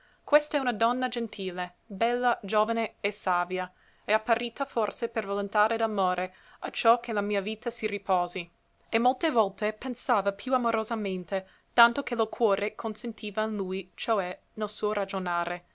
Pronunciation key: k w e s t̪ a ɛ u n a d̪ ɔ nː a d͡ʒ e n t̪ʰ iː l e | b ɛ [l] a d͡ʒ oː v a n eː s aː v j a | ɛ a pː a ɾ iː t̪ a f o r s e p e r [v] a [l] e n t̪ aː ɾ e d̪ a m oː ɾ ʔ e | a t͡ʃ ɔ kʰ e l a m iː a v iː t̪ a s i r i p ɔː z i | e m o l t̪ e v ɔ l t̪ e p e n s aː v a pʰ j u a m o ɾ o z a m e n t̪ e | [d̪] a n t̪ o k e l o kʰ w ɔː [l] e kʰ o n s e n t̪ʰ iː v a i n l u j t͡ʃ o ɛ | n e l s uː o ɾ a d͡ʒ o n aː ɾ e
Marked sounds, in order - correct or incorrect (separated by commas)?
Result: incorrect, correct, correct, incorrect, incorrect